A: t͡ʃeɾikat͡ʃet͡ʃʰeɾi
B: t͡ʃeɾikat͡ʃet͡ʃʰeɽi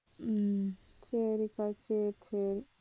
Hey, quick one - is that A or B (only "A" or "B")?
A